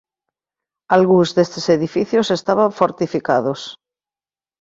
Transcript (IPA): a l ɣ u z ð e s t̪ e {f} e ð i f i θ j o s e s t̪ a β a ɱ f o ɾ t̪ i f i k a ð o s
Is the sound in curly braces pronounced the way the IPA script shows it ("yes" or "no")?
no